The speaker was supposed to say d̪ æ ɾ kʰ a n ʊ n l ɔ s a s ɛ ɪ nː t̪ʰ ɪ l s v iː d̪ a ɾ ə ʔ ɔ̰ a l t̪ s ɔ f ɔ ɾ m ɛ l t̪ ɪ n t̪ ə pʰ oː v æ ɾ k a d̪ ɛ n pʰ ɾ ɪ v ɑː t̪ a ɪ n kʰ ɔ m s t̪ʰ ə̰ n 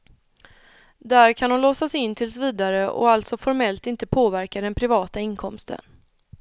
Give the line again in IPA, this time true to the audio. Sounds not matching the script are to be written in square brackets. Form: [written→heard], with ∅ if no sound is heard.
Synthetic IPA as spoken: d̪ æ ɾ kʰ a n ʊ n l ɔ s a s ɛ ɪ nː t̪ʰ ɪ l s v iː d̪ a ɾ ə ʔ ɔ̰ a l t̪ s ɔ f ɔ ɾ m ɛ l t̪ ɪ n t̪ ə pʰ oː v æ ɾ k a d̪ ɛ n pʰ ɾ ɪ v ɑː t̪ a ɪ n kʰ ɔ m s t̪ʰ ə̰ n